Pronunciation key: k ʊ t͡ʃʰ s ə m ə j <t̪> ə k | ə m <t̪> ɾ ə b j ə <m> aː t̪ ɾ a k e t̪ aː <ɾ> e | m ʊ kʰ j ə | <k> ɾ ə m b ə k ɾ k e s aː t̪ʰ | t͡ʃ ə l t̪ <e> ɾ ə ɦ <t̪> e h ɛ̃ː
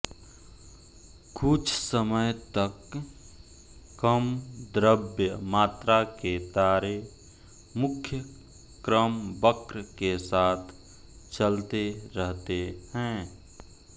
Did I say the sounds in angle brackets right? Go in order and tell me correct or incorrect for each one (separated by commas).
correct, incorrect, correct, correct, correct, correct, correct